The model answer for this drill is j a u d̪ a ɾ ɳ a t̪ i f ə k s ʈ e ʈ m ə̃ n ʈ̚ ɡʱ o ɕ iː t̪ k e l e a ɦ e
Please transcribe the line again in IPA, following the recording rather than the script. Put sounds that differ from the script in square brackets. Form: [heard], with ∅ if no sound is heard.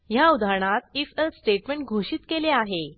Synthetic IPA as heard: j a u d̪ a ɾ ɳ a t̪ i f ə [∅] s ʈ e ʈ m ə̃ [ɳ] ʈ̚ ɡʱ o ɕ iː t̪ k e l e a ɦ e

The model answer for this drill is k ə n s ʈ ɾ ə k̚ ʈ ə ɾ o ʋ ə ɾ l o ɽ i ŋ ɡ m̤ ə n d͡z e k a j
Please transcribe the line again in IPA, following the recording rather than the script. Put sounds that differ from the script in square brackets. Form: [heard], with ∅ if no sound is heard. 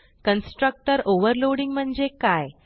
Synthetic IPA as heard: k ə n s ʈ ɾ ə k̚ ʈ ə ɾ o ʋ ə ɾ l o ɽ i ŋ ɡ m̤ ə [ɳ] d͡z e k a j

